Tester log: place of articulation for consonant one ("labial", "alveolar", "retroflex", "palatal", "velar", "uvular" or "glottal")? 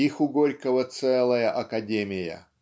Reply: velar